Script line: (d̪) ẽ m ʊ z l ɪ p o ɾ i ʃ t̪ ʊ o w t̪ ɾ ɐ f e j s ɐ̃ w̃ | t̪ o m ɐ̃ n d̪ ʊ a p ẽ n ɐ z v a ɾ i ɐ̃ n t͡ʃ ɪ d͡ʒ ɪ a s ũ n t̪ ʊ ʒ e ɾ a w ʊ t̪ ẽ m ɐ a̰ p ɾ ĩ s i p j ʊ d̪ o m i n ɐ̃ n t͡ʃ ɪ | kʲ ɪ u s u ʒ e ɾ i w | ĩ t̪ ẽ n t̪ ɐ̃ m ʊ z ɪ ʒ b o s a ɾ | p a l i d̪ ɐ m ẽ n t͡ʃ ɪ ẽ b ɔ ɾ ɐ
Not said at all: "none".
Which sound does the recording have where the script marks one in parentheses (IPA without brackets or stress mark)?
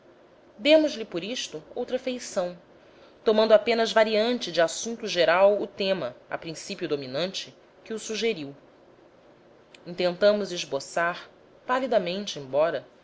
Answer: d̪